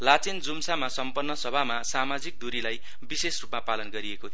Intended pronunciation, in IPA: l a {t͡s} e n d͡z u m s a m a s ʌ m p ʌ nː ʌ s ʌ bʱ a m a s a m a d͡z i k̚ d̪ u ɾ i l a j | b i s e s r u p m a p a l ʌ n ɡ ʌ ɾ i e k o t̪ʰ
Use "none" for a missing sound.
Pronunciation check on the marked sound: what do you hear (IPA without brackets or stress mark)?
t͡s